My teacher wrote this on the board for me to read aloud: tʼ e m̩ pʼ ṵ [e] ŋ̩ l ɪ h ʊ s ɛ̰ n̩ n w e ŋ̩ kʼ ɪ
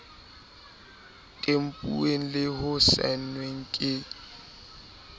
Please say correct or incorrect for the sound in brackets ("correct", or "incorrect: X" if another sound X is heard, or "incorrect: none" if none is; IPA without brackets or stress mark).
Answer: correct